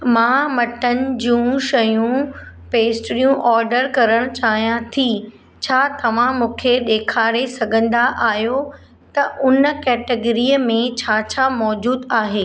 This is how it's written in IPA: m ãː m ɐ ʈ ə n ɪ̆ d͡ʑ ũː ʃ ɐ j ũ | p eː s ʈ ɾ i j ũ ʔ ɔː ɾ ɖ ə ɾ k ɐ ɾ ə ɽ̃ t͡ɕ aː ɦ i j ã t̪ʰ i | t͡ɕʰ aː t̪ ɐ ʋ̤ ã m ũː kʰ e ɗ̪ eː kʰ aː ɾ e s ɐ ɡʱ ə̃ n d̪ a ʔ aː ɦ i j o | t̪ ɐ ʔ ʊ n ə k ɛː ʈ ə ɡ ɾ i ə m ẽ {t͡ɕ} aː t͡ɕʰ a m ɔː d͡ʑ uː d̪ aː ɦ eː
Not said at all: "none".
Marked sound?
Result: t͡ɕʰ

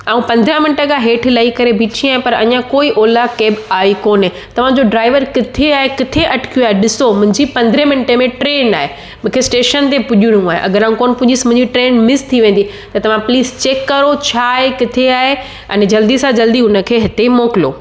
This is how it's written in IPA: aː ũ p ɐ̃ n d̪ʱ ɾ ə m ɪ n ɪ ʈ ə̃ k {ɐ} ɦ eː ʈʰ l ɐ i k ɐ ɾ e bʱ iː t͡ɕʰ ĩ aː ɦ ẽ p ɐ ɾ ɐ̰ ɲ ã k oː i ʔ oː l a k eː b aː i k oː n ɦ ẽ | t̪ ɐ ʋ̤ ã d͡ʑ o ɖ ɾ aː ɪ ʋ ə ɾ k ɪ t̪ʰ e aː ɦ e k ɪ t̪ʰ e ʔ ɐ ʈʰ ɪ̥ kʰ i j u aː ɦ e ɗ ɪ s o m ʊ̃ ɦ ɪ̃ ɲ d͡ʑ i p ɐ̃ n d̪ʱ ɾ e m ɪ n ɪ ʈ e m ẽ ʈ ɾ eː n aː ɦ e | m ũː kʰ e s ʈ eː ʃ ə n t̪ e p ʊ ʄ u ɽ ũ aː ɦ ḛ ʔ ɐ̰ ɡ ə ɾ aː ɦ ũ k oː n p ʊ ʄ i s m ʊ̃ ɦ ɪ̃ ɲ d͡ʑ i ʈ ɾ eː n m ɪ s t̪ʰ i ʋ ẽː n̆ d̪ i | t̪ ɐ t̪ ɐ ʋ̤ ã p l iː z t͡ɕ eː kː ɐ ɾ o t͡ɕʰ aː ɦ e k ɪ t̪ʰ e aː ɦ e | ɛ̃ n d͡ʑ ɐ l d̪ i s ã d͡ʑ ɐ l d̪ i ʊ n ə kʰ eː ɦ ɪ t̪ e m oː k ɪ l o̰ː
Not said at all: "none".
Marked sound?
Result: a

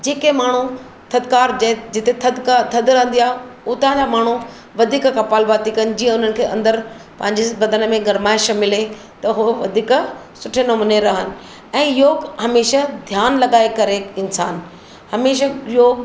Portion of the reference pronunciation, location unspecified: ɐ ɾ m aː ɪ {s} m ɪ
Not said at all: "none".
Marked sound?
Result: ʃ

